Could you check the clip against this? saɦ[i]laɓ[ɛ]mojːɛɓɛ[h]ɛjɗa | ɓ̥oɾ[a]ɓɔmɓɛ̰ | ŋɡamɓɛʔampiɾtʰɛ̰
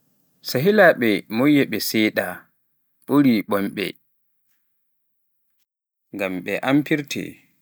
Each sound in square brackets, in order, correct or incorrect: correct, correct, incorrect: s, incorrect: i

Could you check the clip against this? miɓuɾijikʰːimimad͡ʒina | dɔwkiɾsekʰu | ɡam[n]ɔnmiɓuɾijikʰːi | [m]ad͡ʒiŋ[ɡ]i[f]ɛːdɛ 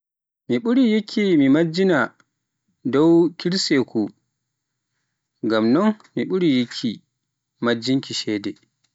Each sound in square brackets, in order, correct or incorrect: correct, correct, incorrect: k, incorrect: ʃ

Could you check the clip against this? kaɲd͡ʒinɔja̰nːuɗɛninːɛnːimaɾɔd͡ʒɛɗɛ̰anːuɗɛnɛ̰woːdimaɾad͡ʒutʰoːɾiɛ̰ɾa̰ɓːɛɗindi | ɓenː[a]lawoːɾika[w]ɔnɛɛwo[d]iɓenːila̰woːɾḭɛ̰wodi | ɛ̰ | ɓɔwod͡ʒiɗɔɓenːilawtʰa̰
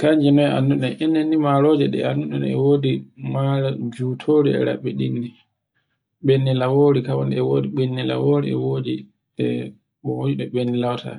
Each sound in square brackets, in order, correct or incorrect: incorrect: i, correct, correct

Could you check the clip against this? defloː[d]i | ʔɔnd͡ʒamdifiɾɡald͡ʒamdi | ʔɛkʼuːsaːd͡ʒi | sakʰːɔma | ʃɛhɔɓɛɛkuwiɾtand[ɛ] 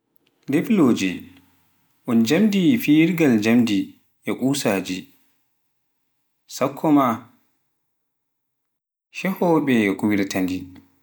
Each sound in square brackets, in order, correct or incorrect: incorrect: d͡ʒ, incorrect: i

